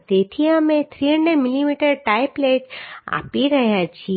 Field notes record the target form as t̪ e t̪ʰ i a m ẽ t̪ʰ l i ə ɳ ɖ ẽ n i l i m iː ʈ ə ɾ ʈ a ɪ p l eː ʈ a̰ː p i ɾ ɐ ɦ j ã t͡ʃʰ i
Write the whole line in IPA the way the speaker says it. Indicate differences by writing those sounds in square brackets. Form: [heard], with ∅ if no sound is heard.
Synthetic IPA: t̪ e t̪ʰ i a m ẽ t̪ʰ [ɾ] i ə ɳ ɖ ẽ [m] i l i m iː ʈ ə ɾ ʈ a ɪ p l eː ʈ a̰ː p i ɾ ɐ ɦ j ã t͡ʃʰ i

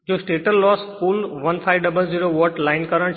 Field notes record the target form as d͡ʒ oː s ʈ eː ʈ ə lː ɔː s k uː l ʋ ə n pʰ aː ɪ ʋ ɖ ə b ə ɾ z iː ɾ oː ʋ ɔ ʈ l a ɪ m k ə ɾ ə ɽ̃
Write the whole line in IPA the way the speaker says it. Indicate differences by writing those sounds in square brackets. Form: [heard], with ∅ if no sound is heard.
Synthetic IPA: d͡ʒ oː s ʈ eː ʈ ə lː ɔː s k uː l ʋ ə n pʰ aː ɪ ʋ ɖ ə b ə [l] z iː ɾ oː ʋ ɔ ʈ l a ɪ [n] k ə ɾ ə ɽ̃

